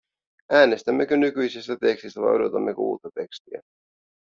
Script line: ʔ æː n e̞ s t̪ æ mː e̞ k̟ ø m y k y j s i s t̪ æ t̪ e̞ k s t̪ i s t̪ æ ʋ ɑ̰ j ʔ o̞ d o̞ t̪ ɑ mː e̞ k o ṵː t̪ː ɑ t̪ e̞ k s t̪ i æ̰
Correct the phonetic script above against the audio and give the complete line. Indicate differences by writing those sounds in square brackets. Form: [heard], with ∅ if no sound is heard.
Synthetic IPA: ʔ æː n e̞ s t̪ æ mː e̞ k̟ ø [n] y k y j s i s t̪ æ t̪ e̞ k s t̪ i s t̪ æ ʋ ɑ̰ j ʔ o̞ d o̞ t̪ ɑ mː e̞ k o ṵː t̪ː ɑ t̪ e̞ k s t̪ i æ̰